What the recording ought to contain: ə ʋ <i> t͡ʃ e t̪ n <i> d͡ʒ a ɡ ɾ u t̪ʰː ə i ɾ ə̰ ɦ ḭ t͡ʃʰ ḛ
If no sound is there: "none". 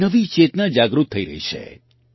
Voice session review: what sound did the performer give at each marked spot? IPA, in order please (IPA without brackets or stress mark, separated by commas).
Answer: i, a